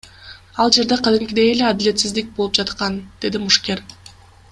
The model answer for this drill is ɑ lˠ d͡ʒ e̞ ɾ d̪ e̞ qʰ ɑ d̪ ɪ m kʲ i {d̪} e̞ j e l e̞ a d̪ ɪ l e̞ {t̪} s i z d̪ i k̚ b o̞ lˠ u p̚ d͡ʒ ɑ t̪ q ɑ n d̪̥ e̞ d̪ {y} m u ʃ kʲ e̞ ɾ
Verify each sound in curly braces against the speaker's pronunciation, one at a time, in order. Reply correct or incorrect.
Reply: correct, correct, incorrect

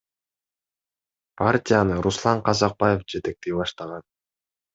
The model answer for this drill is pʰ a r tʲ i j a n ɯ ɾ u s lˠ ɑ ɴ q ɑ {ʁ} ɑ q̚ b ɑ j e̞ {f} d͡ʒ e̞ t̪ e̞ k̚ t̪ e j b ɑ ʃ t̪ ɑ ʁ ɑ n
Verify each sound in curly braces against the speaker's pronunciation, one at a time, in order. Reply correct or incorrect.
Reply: incorrect, correct

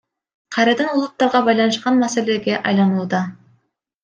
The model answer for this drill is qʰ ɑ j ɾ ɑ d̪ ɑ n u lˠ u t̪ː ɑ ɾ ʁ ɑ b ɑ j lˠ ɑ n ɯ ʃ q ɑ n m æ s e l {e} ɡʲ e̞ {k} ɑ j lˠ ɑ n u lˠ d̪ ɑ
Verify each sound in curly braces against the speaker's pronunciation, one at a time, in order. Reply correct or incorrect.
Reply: correct, incorrect

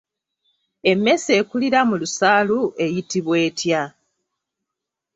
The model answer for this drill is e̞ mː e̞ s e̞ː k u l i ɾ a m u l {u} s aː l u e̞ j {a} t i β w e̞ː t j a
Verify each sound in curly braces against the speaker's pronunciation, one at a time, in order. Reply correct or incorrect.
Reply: correct, incorrect

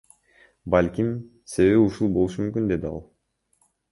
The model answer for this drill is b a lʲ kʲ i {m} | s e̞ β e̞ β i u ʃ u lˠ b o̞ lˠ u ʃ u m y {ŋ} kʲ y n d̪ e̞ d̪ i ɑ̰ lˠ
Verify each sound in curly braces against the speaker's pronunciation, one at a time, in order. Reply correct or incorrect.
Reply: correct, incorrect

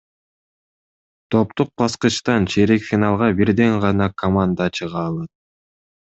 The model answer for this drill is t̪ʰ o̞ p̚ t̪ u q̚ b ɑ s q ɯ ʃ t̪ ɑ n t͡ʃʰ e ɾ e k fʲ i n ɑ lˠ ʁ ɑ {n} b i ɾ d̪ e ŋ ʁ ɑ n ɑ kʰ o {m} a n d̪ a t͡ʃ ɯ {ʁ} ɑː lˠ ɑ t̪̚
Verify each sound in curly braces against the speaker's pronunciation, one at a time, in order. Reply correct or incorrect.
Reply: incorrect, correct, correct

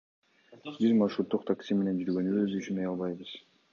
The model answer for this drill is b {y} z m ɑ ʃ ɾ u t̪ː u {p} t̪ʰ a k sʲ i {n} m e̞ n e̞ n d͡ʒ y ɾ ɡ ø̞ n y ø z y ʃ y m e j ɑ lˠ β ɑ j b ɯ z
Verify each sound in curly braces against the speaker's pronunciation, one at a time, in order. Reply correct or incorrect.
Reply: incorrect, incorrect, incorrect

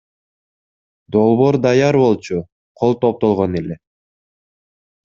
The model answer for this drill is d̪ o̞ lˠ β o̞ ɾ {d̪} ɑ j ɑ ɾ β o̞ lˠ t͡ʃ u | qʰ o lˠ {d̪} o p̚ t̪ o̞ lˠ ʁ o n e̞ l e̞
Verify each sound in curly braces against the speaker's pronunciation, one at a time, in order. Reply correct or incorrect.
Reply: correct, incorrect

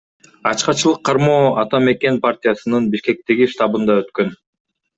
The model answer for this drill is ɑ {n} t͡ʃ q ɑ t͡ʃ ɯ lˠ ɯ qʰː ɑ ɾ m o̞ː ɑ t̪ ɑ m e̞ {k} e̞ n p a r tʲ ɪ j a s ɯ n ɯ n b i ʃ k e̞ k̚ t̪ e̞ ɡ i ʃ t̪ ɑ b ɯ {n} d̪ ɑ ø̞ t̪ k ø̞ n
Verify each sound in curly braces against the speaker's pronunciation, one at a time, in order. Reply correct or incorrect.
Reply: incorrect, correct, correct

